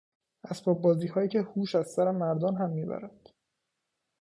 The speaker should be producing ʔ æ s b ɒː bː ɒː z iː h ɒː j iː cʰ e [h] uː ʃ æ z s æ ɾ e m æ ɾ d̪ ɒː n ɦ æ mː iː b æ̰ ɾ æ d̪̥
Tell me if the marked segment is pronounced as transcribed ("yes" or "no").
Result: yes